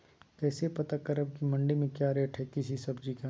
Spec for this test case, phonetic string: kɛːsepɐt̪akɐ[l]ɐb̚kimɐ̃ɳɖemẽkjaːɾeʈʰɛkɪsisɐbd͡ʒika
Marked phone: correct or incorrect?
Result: incorrect